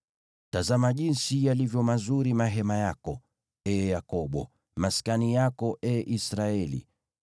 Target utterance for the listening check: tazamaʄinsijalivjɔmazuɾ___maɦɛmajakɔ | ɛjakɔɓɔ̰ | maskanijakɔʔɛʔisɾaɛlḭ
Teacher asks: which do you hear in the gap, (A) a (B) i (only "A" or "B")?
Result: B